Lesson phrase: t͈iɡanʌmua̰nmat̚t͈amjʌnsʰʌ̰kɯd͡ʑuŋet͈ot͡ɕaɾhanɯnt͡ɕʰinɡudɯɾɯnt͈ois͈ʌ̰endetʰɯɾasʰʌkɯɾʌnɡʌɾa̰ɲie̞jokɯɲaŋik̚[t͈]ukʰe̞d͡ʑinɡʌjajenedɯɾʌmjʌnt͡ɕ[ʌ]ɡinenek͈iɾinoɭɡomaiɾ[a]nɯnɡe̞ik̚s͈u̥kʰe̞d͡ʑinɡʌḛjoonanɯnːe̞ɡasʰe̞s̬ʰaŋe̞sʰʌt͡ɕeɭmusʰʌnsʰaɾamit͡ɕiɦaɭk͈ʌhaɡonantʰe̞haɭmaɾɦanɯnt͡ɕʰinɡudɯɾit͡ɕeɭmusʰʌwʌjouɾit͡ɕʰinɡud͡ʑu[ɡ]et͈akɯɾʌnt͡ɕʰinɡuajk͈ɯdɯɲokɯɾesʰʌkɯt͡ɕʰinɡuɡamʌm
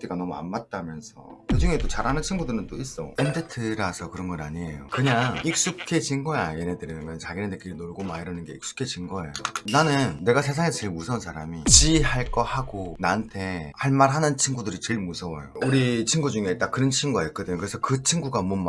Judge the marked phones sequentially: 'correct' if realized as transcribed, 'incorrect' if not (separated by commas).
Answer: incorrect, incorrect, incorrect, incorrect